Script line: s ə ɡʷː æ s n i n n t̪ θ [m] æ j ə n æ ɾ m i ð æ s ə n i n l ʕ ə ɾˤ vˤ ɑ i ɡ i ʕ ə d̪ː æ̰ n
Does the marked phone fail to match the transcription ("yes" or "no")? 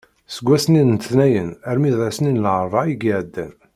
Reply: yes